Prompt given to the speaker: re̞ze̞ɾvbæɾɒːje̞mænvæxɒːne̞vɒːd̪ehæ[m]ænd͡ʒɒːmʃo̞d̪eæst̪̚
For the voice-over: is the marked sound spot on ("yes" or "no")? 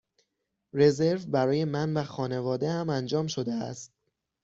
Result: yes